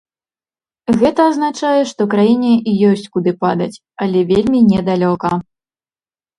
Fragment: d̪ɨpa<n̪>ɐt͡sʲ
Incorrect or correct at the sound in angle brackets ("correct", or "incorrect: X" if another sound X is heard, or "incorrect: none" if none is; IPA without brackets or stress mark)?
incorrect: d̪